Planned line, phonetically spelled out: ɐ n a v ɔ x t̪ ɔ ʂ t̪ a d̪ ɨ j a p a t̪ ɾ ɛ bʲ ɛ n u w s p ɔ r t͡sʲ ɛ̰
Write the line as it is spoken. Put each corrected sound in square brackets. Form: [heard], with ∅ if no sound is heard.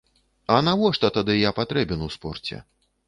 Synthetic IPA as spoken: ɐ n a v ɔ [ʂ] t̪ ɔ [∅] t̪ a d̪ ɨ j a p a t̪ ɾ ɛ bʲ ɛ n u w s p ɔ r t͡sʲ ɛ̰